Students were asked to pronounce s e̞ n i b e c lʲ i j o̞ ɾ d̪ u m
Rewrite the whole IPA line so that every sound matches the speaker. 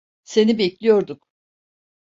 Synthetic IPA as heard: s e̞ n i b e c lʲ i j o̞ ɾ d̪ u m